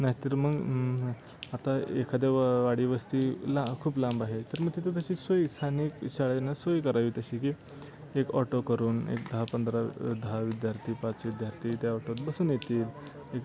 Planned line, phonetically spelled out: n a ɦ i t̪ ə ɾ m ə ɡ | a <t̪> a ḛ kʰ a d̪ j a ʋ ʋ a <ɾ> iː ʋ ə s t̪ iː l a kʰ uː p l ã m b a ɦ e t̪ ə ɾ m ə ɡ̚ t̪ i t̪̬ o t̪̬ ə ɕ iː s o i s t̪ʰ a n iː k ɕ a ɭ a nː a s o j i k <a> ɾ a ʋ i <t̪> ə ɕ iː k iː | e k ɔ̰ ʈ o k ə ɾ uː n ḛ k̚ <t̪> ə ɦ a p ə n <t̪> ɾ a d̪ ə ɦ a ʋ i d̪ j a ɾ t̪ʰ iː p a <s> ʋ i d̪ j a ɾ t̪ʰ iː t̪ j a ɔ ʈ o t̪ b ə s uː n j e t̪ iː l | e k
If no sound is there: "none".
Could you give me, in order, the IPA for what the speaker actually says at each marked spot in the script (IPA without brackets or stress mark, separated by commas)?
t̪, ɽ, ə, t̪, d̪, d̪, t͡s